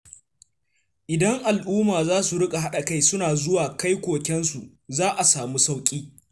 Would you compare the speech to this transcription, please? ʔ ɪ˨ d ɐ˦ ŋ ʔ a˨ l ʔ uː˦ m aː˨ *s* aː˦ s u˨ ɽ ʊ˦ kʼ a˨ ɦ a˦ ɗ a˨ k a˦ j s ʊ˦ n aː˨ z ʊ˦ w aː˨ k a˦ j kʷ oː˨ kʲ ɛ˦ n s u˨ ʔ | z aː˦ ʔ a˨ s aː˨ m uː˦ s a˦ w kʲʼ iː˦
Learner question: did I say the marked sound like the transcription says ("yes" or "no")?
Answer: no